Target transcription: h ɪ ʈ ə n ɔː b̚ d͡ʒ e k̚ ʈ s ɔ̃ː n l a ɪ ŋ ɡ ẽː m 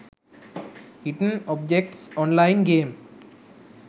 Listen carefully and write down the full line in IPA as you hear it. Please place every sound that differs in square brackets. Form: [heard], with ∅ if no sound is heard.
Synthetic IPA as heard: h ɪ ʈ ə n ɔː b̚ d͡ʒ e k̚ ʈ s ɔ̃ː n l a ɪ [n] ɡ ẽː m